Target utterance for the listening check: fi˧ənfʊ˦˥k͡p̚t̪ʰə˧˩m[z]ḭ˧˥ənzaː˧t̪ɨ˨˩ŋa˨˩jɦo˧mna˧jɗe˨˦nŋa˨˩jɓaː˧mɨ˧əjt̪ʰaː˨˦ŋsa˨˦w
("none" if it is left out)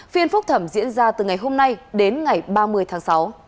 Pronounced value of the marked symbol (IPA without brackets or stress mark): z